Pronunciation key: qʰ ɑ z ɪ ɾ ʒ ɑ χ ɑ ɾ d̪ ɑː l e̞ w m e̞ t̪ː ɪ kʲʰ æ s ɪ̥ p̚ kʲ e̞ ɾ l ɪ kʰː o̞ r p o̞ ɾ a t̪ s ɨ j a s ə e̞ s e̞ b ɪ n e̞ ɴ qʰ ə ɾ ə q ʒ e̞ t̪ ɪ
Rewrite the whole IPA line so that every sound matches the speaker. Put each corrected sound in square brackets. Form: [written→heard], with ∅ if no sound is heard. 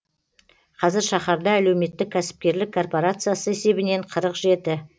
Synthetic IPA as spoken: qʰ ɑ z ɪ ɾ [ʒ→ʃ] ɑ χ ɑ ɾ d̪ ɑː l e̞ w m e̞ t̪ː ɪ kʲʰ æ s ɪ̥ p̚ kʲ e̞ ɾ l ɪ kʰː o̞ r p o̞ ɾ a t̪ s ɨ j a s ə e̞ s e̞ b ɪ n e̞ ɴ qʰ ə ɾ ə q ʒ e̞ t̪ ɪ